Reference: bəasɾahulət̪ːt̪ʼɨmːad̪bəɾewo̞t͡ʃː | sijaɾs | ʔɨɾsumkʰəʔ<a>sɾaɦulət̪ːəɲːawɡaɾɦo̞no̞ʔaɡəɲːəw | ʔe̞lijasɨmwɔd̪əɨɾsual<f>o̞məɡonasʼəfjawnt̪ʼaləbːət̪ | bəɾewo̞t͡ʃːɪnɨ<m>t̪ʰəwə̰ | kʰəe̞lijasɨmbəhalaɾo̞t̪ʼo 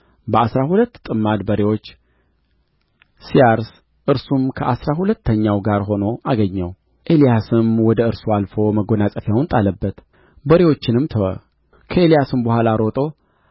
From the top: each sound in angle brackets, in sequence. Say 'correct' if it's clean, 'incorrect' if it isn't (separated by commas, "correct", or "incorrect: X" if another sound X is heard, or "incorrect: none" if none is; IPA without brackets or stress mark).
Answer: correct, correct, correct